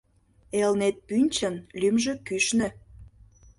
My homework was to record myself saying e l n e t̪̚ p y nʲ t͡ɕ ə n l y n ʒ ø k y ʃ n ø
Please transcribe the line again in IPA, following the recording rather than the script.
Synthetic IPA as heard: e l n e t̪̚ p y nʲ t͡ɕ ə n l y m ʒ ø k y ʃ n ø